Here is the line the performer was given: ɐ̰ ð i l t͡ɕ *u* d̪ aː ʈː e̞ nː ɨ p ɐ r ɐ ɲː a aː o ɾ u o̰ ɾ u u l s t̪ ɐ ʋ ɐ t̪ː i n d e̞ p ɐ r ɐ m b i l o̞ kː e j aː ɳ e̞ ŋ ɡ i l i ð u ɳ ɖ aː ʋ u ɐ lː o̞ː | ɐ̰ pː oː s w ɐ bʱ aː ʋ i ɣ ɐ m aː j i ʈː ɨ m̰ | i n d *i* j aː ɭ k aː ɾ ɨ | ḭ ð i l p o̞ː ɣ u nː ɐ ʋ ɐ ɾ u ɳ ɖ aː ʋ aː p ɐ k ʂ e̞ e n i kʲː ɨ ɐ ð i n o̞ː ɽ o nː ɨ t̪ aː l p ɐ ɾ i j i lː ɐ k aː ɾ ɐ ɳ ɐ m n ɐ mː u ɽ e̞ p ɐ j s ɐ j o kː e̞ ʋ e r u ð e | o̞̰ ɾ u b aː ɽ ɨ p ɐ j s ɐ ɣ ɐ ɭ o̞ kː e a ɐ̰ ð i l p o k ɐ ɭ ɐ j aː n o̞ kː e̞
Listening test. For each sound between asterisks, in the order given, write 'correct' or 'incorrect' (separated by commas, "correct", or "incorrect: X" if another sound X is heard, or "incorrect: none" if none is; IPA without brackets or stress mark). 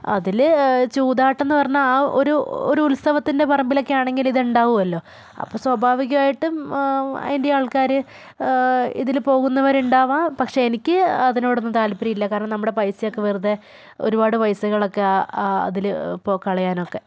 incorrect: uː, incorrect: e